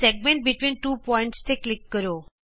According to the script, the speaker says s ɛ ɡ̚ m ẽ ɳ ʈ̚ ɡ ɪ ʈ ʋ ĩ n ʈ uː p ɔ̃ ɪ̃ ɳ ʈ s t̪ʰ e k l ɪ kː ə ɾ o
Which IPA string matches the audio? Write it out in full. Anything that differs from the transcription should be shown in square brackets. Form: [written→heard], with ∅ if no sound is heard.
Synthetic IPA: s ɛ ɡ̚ m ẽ ɳ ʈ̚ [ɡ→b] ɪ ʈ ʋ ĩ n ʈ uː p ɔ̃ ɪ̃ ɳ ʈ s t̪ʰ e k l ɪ kː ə ɾ o